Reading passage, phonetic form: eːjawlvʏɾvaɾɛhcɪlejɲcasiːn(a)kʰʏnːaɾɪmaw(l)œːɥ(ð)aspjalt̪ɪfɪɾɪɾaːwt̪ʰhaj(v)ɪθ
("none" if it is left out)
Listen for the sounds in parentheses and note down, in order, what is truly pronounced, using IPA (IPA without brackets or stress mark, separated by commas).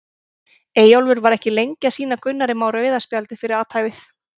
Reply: a, ɾ, ð, v